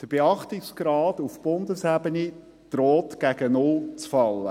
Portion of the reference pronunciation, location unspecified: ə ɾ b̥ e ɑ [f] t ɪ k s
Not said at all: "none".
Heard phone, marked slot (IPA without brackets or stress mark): χ